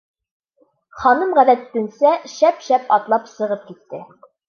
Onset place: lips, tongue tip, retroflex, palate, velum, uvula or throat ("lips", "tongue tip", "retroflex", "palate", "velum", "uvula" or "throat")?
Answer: uvula